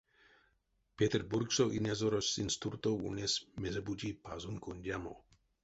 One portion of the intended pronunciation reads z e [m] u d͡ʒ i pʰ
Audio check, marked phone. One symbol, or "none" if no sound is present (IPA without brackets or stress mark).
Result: b